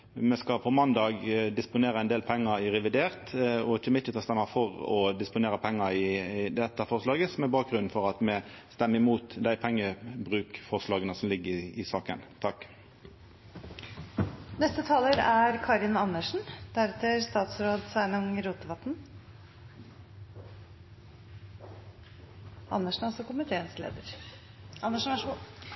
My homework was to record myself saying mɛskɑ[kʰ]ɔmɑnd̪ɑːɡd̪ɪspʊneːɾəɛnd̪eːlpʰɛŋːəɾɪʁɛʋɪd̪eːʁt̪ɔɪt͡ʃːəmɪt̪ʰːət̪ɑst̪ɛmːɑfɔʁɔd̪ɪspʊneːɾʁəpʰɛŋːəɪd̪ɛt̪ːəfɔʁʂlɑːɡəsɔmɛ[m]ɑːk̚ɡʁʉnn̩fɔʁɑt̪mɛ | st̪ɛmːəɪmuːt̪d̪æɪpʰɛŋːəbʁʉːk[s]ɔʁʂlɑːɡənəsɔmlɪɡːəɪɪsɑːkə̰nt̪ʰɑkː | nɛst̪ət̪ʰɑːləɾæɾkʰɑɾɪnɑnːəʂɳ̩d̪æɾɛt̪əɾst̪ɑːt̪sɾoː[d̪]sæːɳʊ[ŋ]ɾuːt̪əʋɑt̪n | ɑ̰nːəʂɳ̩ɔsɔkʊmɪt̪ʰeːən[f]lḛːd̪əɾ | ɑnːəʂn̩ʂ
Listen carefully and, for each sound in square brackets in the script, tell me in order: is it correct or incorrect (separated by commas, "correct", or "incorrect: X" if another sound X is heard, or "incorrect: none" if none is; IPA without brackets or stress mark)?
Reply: incorrect: pʰ, incorrect: b, incorrect: f, correct, correct, incorrect: s